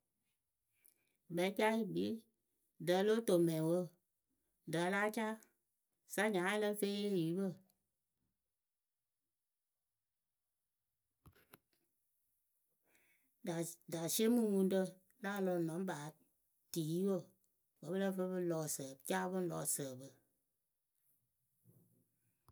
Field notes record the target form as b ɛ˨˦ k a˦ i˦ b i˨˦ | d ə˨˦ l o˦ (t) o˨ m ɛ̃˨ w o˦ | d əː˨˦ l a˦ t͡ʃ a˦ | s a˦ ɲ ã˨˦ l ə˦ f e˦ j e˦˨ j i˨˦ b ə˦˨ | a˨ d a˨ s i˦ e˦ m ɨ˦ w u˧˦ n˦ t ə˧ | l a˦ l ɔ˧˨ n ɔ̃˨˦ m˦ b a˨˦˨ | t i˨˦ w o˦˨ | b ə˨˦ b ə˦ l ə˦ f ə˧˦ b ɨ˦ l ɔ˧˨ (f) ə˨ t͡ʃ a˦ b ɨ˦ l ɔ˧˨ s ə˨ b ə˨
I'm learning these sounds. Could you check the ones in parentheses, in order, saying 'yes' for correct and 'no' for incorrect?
yes, no

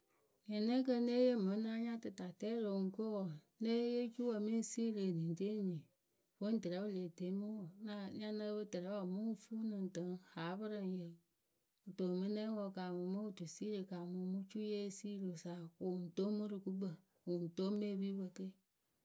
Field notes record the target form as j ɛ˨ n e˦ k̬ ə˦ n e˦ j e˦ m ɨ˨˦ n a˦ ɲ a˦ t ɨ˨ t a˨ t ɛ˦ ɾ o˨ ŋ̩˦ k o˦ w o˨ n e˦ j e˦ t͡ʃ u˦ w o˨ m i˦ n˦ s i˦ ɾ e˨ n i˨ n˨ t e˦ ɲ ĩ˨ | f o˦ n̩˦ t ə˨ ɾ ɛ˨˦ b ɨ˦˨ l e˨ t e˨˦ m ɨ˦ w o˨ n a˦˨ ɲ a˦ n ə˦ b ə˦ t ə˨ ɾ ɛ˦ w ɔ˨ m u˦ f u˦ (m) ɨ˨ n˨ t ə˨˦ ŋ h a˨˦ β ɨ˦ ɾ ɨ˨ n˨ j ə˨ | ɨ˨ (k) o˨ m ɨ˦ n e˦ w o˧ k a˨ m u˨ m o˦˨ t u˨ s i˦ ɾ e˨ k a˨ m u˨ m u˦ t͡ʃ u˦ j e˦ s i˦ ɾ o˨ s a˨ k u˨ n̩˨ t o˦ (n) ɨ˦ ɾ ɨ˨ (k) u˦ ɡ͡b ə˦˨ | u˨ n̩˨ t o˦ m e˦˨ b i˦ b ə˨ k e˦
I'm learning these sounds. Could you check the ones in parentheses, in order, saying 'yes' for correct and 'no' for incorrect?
no, no, no, yes

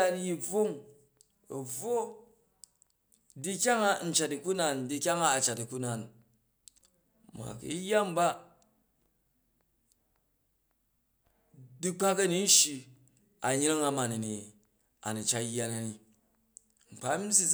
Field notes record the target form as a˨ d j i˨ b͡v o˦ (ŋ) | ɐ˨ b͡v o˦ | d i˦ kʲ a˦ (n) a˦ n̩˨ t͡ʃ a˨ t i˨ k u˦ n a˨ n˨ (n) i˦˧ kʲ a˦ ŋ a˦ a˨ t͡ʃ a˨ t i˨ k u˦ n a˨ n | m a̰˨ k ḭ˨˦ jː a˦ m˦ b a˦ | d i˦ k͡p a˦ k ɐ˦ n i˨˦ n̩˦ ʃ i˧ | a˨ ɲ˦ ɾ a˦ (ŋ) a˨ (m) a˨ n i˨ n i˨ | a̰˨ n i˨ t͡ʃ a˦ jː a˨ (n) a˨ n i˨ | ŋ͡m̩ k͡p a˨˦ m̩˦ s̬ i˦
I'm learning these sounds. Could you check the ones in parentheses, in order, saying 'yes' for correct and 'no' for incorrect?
yes, no, no, yes, yes, yes

